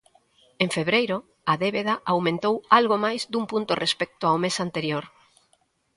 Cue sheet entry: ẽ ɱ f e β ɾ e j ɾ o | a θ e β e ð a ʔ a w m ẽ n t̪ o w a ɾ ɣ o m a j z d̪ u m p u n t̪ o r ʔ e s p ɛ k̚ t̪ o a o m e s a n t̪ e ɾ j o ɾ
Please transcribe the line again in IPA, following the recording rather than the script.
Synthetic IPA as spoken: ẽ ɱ f e β ɾ e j ɾ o | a ð e β e ð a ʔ a w m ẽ n t̪ o w a l ɣ o m a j z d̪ u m p u n t̪ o r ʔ e s p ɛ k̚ t̪ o a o m e s a n t̪ e ɾ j o ɾ